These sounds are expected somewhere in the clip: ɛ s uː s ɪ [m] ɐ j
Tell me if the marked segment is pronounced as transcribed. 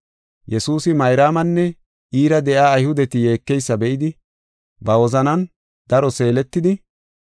yes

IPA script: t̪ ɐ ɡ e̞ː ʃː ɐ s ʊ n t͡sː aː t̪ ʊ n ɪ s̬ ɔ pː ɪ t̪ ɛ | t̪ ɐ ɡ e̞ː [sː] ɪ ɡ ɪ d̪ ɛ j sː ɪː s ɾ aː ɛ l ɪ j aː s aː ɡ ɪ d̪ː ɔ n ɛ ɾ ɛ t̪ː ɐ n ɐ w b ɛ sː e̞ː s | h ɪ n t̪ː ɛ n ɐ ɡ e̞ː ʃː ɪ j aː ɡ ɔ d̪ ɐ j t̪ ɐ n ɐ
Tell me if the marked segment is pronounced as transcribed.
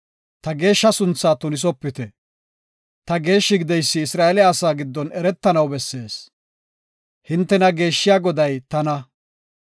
no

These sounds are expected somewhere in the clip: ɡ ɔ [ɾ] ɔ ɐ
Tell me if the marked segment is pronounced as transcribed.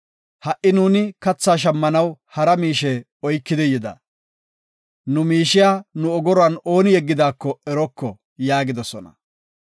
yes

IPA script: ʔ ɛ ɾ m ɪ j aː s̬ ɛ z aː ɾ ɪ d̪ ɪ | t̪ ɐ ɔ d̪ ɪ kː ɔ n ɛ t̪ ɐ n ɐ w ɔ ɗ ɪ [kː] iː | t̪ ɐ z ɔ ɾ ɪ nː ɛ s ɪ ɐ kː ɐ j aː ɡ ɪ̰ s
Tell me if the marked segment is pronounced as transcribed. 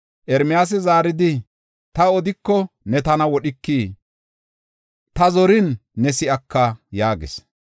yes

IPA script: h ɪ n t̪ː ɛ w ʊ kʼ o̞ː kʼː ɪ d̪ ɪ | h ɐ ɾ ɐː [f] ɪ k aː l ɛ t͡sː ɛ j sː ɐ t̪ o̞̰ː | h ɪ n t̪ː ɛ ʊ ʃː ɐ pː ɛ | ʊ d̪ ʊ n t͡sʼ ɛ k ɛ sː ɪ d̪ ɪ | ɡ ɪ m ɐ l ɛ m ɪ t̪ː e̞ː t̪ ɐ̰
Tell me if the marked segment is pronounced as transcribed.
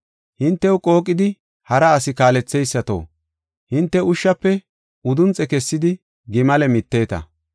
no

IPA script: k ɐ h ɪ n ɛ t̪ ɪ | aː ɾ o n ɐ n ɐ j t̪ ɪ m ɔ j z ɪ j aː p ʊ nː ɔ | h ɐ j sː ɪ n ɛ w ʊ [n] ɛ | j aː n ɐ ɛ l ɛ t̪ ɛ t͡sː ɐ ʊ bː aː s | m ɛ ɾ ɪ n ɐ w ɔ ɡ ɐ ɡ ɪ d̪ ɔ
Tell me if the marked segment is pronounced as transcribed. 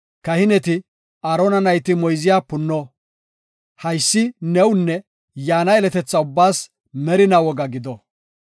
no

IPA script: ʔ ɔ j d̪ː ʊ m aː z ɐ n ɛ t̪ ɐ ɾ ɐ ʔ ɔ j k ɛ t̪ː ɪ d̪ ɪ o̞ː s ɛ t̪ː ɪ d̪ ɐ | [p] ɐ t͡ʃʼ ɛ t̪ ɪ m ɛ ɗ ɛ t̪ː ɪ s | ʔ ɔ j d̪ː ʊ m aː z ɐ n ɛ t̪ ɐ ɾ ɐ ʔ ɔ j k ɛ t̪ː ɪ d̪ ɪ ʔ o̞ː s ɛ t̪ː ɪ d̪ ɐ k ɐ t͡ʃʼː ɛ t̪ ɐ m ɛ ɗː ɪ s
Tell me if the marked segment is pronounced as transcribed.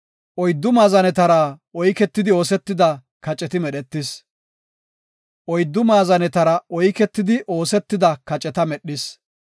no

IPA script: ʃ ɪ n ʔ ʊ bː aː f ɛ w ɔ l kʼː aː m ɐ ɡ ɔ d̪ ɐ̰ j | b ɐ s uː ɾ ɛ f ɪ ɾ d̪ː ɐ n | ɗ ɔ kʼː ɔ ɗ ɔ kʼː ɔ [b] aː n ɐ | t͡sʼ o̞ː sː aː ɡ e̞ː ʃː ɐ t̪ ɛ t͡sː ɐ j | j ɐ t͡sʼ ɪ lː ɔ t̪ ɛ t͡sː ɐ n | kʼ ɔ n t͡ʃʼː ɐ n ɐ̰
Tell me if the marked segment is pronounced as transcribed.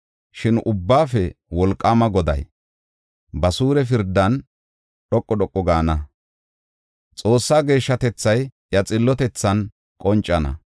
no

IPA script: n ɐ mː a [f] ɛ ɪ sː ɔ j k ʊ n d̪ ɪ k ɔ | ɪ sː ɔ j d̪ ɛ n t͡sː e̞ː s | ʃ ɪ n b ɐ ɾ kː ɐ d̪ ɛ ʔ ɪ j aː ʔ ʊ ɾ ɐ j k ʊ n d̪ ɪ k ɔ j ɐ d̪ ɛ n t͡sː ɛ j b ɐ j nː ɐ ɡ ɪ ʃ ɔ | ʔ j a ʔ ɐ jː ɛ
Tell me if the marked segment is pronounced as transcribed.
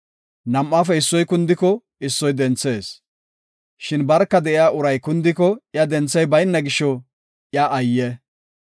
yes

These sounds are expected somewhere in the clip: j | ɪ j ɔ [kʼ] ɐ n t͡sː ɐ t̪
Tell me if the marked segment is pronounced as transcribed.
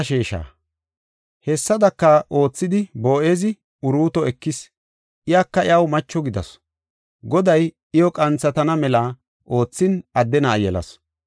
yes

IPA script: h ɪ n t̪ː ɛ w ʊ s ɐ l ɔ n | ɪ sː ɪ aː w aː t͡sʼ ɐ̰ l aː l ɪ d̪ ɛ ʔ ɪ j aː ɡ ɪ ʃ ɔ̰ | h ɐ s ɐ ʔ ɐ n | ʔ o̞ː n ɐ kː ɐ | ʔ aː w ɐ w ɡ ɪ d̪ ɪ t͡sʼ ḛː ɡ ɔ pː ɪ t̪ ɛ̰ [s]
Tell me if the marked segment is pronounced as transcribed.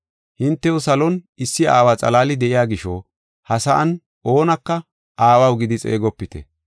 no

